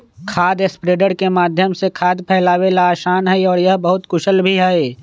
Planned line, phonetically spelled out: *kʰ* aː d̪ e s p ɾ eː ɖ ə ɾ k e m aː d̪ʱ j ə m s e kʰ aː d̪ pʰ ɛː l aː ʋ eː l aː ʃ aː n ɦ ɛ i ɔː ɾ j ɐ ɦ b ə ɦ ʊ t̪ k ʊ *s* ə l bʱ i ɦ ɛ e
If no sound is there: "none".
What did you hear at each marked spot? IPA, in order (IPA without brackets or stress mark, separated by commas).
kʰ, ʃ